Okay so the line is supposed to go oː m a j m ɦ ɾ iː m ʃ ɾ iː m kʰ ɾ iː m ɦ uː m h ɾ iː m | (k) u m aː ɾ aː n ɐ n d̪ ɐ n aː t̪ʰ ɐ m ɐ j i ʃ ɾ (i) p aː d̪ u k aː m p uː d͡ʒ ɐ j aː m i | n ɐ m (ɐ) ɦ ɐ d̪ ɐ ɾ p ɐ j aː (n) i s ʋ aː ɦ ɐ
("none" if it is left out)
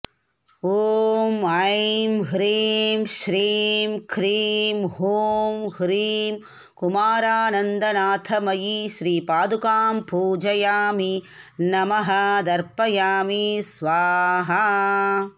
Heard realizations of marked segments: k, iː, ɐ, m

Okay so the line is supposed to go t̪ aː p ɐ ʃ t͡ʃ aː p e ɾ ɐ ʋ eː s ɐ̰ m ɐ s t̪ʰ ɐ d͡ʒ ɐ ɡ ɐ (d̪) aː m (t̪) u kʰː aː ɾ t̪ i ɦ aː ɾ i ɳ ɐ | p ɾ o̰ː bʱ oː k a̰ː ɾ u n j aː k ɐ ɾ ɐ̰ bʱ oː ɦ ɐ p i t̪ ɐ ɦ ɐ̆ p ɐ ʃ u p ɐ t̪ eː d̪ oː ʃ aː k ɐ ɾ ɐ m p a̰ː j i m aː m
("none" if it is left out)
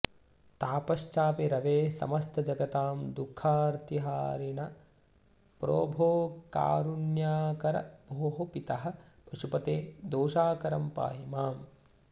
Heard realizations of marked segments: t̪, d̪

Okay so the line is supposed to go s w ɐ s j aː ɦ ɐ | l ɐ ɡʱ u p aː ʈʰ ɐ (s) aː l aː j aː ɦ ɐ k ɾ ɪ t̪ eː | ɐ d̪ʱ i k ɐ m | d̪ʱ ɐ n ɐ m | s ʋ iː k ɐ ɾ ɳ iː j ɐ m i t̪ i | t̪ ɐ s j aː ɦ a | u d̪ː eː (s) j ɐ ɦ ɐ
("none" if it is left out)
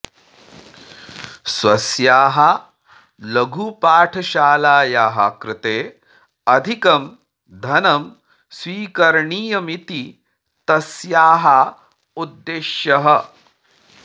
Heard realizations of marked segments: ʃ, ʃ

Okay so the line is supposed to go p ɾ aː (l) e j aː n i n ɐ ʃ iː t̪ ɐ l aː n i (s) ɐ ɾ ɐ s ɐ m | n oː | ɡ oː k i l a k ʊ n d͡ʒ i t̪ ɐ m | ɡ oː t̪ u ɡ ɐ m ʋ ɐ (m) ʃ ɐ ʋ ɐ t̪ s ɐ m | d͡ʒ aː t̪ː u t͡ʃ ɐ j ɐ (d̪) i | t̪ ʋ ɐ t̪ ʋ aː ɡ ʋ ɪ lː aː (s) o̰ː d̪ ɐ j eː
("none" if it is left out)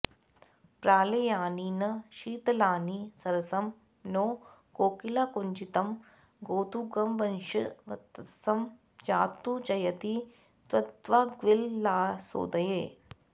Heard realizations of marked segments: l, s, n, t̪, s

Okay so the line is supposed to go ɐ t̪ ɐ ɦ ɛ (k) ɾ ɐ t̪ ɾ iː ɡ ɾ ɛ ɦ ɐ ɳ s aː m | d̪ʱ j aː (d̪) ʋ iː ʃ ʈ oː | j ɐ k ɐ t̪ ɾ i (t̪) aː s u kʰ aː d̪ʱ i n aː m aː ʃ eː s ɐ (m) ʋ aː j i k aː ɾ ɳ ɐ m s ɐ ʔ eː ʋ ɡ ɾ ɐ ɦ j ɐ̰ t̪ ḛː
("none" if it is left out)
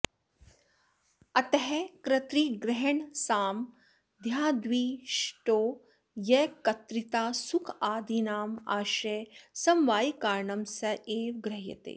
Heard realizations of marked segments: k, d̪, t̪, m

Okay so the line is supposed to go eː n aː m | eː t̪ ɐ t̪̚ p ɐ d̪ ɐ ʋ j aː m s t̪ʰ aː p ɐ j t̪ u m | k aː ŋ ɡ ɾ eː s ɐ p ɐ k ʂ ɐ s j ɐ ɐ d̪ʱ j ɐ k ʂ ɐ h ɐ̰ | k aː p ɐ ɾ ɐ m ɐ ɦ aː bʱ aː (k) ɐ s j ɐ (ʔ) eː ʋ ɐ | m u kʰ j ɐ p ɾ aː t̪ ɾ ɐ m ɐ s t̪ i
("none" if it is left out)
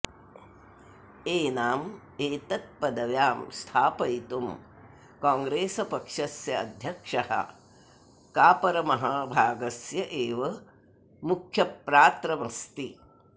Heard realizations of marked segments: ɡ, ʔ

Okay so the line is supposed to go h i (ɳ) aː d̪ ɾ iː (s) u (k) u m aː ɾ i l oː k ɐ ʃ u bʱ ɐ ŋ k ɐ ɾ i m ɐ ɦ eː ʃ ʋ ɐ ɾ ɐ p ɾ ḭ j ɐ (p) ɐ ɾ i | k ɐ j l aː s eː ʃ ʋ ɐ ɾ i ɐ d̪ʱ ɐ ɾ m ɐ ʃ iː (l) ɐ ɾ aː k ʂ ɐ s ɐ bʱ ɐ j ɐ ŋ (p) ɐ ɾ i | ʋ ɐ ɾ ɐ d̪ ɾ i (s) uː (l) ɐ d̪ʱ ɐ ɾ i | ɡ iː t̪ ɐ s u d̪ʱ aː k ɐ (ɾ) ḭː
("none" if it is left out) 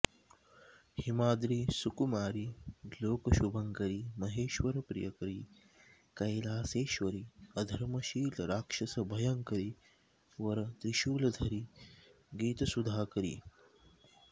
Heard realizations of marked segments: m, s, k, k, l, k, ʃ, l, ɾ

